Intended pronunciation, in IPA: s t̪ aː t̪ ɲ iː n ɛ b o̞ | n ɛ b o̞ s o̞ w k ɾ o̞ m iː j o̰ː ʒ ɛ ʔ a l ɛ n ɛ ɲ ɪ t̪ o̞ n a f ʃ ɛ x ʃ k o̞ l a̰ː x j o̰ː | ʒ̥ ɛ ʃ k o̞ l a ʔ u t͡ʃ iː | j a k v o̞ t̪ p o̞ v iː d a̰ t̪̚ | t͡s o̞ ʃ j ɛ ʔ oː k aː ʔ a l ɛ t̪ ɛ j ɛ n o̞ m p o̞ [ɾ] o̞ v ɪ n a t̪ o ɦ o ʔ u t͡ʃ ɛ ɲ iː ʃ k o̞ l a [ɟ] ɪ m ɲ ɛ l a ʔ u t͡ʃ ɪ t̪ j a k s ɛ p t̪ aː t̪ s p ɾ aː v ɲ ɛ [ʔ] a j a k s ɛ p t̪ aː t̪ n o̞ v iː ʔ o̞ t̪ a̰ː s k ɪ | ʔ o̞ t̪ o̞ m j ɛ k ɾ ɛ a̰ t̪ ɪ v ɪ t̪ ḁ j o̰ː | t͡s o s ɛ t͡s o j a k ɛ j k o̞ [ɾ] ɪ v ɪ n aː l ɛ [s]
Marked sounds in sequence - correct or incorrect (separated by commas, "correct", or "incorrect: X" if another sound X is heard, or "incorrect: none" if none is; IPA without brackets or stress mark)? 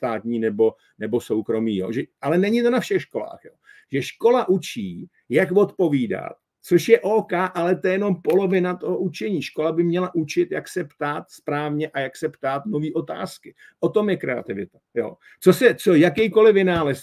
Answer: incorrect: l, incorrect: b, correct, incorrect: l, correct